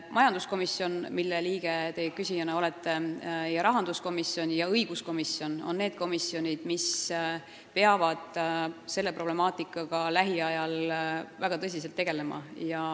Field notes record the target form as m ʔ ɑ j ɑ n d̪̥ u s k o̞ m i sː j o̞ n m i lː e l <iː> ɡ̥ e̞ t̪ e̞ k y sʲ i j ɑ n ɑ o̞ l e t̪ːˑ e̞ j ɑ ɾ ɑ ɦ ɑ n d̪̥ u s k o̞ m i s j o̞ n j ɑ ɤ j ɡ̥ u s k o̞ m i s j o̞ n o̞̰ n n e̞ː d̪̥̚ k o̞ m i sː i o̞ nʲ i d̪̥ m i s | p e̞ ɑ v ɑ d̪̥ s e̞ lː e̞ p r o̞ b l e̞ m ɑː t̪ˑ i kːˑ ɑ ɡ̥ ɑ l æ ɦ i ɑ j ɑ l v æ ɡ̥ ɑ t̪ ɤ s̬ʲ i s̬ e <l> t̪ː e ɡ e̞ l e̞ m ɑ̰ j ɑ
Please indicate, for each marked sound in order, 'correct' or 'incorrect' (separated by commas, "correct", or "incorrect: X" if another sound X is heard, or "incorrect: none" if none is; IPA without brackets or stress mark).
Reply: correct, correct